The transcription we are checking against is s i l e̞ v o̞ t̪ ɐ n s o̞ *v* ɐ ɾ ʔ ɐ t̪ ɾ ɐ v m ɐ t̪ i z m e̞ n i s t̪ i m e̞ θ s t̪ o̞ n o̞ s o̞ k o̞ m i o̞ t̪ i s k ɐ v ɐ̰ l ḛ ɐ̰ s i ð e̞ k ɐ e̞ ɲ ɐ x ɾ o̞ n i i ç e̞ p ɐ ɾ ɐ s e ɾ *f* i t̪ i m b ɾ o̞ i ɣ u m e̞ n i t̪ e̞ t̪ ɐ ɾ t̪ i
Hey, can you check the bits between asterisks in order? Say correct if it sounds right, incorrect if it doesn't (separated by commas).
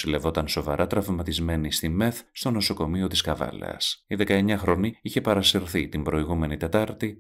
correct, incorrect